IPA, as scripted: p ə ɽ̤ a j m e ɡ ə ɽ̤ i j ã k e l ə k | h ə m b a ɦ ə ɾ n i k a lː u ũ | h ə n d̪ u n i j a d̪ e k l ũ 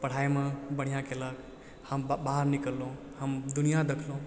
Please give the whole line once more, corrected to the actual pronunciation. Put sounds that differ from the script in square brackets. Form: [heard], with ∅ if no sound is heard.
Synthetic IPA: p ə ɽ̤ a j m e [b] ə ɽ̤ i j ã k e l ə k | h ə m b a ɦ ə ɾ n i k [ə] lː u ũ | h ə [m] d̪ u n i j a d̪ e [kʰ] l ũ